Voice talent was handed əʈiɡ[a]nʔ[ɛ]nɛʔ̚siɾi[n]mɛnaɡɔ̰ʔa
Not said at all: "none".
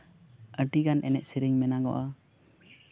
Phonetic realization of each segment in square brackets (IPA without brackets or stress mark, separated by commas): a, ɛ, ŋ